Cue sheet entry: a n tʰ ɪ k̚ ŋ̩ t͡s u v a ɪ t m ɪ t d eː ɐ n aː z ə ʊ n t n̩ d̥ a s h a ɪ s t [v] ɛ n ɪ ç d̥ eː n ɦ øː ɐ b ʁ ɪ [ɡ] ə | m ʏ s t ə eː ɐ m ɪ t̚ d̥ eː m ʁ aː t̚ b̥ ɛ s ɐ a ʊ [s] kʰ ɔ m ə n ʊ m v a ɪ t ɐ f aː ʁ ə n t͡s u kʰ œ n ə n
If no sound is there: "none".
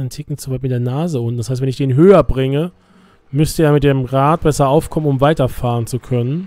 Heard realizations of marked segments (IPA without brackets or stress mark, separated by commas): v, ŋ, f